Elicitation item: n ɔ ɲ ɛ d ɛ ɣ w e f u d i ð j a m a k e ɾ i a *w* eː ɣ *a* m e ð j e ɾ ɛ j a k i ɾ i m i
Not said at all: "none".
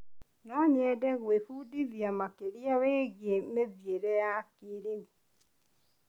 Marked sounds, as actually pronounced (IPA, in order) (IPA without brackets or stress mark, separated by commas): w, e